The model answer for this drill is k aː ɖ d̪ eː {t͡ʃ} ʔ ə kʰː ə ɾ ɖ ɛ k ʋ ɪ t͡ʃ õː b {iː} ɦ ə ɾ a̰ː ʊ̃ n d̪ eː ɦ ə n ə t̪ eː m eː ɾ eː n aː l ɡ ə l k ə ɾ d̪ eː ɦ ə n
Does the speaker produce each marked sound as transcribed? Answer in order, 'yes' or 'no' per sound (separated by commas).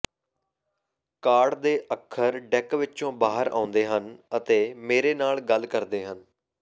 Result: no, no